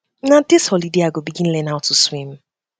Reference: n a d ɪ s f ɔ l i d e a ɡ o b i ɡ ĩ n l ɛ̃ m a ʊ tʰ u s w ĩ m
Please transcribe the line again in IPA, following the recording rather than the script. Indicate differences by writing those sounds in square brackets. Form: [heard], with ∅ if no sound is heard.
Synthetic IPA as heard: n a d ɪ s [h] ɔ l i d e a ɡ o b i ɡ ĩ n l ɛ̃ [n] a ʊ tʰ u s w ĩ m